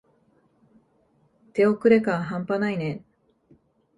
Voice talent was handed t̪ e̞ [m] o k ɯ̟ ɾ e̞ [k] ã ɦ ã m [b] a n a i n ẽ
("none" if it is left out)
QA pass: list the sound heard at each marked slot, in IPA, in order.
none, k, p

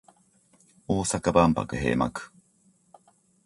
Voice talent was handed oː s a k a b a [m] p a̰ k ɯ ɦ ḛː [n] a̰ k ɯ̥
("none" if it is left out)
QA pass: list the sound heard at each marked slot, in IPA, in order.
m, m

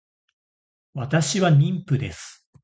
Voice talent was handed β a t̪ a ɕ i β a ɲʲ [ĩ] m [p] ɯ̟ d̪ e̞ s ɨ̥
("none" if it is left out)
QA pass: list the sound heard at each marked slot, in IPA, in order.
ĩ, p

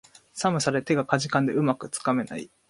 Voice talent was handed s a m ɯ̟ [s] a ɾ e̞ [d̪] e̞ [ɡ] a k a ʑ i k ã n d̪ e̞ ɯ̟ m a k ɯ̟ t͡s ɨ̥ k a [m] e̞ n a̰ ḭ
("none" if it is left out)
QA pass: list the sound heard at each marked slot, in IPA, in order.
s, t̪, ɡ, m

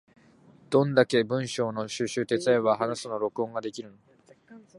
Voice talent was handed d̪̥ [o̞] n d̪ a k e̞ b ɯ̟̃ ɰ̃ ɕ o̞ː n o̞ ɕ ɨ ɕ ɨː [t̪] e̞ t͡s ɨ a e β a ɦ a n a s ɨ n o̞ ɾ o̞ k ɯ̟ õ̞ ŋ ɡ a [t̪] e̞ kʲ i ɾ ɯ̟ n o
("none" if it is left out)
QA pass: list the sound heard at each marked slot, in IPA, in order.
õ̞, t̪, d̪

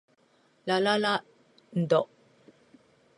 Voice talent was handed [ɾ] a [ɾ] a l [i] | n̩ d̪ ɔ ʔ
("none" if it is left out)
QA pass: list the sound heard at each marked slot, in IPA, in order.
l, l, a

